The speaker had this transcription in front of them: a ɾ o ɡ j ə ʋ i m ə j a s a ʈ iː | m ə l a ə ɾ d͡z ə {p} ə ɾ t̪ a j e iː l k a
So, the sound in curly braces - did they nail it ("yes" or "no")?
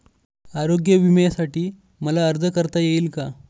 no